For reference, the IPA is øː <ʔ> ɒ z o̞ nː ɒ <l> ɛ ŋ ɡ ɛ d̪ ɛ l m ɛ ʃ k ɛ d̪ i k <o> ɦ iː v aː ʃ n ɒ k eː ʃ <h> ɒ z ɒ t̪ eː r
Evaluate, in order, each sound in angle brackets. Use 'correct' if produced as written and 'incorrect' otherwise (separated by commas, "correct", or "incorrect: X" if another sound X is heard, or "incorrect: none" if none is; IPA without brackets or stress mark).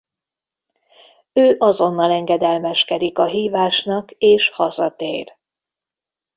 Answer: correct, correct, incorrect: ɒ, correct